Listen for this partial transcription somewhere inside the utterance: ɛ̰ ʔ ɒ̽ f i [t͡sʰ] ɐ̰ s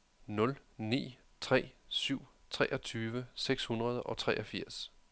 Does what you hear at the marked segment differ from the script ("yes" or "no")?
yes